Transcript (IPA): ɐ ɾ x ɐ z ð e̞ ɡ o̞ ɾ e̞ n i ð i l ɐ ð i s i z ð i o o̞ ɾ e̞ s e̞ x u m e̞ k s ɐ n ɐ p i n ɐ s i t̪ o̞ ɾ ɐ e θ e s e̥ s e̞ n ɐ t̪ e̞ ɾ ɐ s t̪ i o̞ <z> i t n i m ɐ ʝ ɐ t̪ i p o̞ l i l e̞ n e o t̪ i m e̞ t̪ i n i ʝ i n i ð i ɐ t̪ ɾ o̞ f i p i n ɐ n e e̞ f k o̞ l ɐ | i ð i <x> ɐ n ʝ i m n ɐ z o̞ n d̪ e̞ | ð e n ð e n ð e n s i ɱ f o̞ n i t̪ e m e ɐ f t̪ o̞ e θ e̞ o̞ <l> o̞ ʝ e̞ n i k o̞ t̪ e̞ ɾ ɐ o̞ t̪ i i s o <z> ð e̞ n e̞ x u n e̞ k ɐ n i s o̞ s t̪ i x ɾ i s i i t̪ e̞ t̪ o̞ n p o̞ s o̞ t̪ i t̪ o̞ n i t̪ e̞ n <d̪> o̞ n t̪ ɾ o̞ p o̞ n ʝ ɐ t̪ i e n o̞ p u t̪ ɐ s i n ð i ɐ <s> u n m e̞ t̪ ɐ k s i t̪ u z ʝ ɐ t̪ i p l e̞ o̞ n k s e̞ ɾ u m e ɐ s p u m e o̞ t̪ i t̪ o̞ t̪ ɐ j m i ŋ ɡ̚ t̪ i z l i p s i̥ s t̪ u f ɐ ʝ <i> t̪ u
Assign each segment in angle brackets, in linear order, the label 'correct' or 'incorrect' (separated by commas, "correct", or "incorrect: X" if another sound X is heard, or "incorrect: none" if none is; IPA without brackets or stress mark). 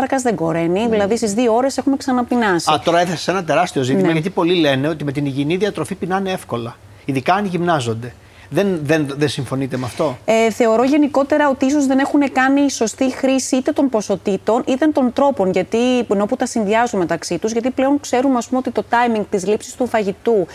correct, incorrect: k, incorrect: ɾ, correct, incorrect: t̪, incorrect: z, correct